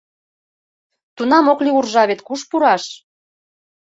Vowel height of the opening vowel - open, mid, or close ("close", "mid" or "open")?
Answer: close